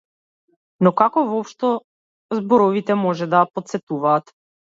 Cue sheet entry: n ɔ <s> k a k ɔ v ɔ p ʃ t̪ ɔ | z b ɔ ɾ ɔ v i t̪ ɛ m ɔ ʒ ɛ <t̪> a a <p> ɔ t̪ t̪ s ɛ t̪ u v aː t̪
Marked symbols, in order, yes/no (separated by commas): no, no, yes